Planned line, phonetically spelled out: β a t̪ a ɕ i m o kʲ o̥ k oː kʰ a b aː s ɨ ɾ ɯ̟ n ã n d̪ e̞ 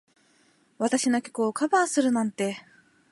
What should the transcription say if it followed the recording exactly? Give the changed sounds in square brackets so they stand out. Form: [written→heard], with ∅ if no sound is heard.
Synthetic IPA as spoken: β a t̪ a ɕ i [m→n] o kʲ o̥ k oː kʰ a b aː s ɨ ɾ ɯ̟ n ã n [d̪→t̪] e̞